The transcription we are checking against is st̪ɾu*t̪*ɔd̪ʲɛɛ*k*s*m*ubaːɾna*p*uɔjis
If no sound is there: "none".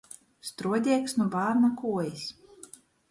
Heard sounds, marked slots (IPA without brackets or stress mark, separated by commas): none, k, n, k